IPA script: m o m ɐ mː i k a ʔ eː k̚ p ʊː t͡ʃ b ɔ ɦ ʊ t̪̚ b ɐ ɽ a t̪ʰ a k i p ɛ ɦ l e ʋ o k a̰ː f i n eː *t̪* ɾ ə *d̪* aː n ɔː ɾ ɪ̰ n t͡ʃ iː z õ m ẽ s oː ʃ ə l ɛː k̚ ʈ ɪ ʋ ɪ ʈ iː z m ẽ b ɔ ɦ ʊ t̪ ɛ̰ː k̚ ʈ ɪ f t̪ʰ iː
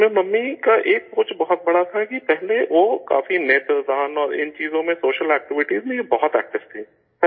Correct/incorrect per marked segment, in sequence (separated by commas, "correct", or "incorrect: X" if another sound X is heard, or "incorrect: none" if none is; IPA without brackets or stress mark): correct, correct